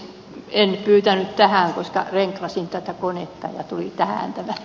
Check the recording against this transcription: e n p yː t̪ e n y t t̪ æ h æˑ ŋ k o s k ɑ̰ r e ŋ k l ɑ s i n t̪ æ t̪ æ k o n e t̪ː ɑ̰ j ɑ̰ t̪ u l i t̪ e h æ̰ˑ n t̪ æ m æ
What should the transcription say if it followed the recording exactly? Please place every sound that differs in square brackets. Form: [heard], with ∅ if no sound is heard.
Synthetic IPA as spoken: e n p yː t̪ [æ] n y t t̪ æ h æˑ ŋ k o s k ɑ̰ r e ŋ k l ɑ s i n t̪ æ t̪ æ k o n e t̪ː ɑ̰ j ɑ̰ t̪ u l i t̪ [æ] h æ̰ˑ n t̪ æ m æ